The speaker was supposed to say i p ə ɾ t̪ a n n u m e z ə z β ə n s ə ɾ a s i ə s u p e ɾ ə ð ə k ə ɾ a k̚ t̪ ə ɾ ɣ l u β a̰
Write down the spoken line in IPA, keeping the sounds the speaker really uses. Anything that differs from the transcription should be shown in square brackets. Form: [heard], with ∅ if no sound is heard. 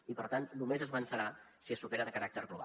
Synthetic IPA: i p ə ɾ t̪ a n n u m e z ə z β ə n s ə ɾ a s i ə s u p e ɾ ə ð ə k ə ɾ a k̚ t̪ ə ɾ ɣ l u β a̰